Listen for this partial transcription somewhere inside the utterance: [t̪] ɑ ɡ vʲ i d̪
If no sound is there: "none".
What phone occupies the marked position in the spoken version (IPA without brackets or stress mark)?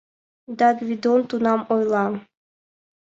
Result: d̪